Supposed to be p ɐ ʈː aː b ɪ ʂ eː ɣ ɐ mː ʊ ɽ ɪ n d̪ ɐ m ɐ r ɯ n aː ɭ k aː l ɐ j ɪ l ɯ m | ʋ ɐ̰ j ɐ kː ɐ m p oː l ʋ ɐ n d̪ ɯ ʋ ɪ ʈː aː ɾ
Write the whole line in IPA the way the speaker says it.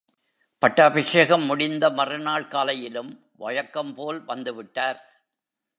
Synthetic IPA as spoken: p ɐ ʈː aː b ɪ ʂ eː ɣ ɐ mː ʊ ɽ ɪ n d̪ ɐ m ɐ r ɯ n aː ɭ k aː l ɐ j ɪ l ɯ m | ʋ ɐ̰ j ɐ kː ɐ m p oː l ʋ ɐ n d̪ ɯ ʋ ɪ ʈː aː ɾ